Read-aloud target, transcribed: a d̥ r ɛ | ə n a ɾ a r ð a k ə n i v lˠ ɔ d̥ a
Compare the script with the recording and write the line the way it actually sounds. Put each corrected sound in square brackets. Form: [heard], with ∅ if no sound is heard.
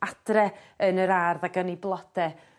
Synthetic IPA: a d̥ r ɛ | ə n [ə] ɾ a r ð a [ɡ] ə n i [b] lˠ ɔ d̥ [ɛ]